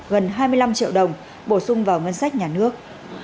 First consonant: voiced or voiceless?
voiced